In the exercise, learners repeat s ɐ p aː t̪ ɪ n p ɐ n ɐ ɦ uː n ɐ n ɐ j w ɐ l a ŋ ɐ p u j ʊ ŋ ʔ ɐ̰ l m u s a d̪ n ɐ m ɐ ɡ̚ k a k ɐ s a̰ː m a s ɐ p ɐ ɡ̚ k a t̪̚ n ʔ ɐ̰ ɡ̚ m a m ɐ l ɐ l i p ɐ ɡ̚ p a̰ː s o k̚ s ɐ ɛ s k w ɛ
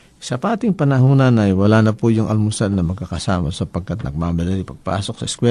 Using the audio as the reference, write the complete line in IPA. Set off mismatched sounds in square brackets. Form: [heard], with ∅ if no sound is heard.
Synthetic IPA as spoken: s ɐ p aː t̪ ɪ [ŋ] p ɐ n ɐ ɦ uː n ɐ n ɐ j w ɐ l a [n] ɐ p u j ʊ ŋ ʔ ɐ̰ l m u s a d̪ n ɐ m ɐ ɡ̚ k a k ɐ s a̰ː m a s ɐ p ɐ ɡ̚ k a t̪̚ n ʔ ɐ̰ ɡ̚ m a m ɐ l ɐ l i p ɐ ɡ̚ p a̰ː s o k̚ s ɐ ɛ s k w ɛ